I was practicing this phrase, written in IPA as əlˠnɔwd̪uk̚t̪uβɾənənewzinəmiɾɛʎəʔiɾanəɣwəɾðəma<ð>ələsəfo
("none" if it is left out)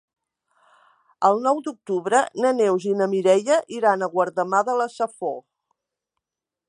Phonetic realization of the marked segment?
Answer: ð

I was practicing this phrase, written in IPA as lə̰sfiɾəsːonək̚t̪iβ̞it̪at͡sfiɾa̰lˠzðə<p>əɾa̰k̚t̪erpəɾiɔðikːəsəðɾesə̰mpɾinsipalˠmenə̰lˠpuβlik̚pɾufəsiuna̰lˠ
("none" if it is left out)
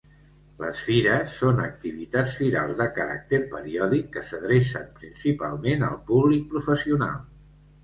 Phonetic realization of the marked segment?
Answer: k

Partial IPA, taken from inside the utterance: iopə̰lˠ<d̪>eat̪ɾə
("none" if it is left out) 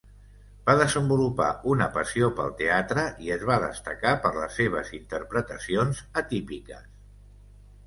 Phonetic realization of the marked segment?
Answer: t̪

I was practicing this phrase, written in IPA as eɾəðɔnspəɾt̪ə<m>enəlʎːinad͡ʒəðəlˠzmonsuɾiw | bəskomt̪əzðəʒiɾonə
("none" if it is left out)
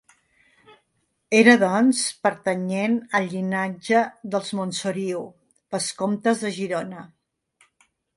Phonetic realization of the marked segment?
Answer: ɲ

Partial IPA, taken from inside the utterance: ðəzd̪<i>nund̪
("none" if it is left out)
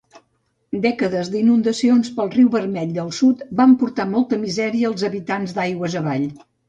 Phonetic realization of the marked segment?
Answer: i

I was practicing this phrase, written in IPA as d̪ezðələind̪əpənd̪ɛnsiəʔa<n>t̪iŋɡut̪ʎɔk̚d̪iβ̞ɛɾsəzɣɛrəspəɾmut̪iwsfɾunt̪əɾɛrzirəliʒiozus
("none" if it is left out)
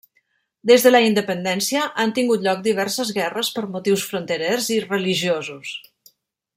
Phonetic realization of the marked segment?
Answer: n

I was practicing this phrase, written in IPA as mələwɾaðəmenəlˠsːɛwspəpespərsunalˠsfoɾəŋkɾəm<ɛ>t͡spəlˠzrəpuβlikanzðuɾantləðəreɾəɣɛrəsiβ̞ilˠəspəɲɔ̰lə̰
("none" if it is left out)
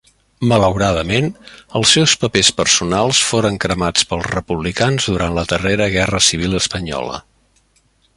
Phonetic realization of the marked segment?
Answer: a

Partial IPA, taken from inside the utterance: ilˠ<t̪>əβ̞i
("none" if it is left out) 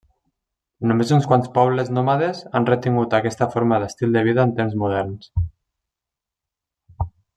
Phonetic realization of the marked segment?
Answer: d̪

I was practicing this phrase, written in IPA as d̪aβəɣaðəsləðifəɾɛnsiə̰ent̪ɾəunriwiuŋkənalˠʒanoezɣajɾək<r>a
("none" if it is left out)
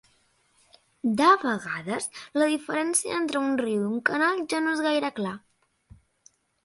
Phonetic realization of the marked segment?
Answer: l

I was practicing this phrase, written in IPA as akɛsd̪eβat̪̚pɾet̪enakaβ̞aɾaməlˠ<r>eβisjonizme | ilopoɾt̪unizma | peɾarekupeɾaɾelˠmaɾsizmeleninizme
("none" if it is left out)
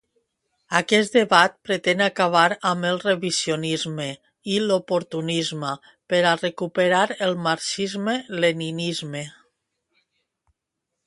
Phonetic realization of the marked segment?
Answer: r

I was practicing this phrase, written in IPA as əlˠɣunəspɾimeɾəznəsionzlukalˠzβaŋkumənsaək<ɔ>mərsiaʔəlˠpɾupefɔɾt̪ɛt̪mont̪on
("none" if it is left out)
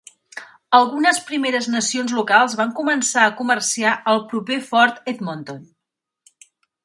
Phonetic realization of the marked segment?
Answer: u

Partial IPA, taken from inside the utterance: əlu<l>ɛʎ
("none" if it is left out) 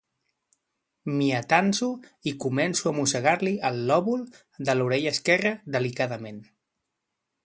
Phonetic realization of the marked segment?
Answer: ɾ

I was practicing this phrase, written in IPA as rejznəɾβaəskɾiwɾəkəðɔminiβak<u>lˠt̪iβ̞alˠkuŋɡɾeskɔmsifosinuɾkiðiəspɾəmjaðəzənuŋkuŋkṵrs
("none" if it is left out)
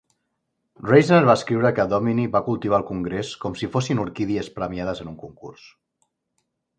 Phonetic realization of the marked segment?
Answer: u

